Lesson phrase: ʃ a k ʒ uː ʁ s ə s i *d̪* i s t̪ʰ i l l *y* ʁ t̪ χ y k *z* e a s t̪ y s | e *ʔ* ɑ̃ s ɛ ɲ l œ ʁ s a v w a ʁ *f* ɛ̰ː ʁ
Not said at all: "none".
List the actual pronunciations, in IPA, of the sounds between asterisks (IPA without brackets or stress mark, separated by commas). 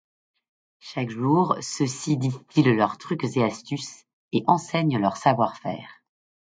d̪, œ, z, ʔ, f